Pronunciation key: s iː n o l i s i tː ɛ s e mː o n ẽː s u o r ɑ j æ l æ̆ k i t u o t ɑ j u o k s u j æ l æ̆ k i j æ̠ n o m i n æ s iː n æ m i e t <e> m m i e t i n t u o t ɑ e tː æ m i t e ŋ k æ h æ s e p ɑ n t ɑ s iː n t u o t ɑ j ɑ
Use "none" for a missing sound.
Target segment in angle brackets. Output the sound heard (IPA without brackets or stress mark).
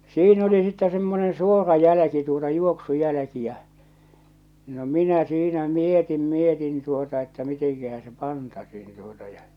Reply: i